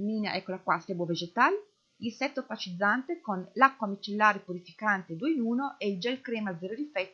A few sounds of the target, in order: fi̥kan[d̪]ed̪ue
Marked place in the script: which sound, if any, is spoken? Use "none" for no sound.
t̪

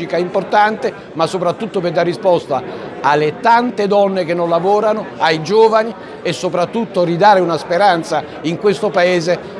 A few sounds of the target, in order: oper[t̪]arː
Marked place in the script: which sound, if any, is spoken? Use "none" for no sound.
d̪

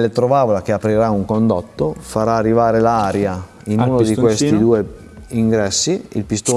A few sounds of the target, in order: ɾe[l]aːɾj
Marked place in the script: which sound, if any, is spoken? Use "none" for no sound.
l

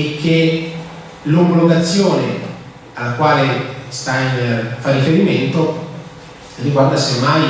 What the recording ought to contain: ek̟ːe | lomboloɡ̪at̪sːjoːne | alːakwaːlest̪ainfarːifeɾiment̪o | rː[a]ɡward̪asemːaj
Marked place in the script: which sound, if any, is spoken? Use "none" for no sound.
i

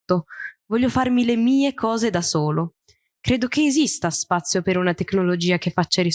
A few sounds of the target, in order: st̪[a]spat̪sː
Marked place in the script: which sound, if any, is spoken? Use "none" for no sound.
a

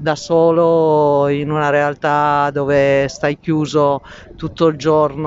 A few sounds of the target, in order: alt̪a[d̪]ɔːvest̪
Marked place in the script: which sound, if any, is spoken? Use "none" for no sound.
d̪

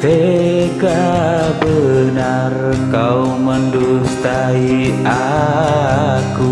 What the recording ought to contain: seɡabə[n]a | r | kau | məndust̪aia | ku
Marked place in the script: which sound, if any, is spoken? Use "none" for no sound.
n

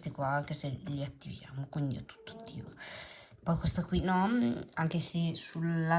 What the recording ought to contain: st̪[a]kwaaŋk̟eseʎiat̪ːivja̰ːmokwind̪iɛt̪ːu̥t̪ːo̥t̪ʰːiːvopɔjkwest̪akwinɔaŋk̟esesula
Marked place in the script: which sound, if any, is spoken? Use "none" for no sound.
i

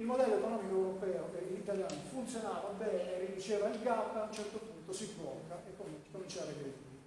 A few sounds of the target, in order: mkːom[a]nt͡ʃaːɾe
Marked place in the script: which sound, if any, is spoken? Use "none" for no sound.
i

